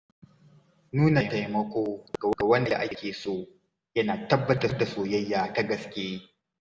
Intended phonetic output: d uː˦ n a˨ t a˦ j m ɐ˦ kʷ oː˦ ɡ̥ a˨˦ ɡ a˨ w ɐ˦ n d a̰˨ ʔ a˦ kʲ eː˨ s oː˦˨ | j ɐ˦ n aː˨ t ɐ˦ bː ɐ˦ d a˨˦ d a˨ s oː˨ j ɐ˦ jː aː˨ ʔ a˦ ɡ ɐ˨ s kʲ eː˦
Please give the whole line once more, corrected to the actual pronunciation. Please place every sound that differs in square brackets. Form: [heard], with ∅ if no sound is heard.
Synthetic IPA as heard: [n] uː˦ n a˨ t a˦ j m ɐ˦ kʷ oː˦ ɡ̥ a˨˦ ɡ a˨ w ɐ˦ n d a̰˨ ʔ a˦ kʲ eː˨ s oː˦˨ | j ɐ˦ n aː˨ t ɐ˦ bː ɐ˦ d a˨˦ d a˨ s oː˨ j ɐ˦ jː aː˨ [t] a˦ ɡ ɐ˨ s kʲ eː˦